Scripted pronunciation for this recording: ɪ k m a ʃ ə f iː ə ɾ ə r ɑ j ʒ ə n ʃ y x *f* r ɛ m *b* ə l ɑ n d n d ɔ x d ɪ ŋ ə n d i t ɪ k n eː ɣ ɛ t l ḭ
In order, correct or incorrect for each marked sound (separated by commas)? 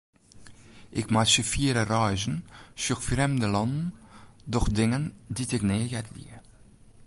correct, incorrect